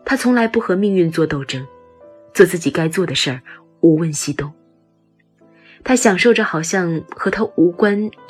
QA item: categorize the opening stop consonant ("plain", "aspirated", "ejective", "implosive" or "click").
aspirated